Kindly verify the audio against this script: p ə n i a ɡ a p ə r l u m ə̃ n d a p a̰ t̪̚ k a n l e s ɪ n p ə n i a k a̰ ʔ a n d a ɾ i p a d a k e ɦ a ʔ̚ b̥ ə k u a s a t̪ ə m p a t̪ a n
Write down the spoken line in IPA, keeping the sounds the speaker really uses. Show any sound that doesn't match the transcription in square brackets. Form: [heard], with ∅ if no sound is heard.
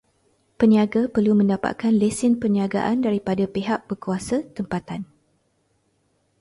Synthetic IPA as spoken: p ə n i a ɡ a p ə r l u m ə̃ n d a p a̰ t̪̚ k a n l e s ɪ n p ə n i a [ɡ] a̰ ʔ a n d a ɾ i p a d a [p] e ɦ a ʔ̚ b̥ ə k u a s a t̪ ə m p a t̪ a n